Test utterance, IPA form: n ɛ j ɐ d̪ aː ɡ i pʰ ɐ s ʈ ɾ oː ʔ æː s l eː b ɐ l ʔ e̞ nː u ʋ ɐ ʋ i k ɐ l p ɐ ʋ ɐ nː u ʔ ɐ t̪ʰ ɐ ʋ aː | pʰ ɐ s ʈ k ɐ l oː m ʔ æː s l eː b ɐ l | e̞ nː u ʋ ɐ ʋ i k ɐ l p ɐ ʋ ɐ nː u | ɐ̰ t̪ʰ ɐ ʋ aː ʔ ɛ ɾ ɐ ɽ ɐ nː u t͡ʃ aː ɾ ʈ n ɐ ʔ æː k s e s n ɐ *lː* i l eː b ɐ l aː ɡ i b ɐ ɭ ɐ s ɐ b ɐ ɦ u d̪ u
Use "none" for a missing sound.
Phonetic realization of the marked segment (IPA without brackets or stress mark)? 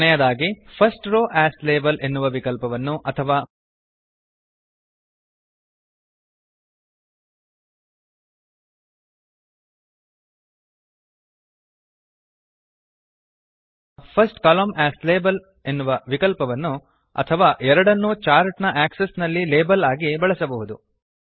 lː